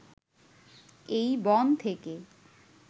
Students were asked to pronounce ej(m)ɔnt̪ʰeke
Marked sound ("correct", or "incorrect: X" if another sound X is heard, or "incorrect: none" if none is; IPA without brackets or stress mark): incorrect: b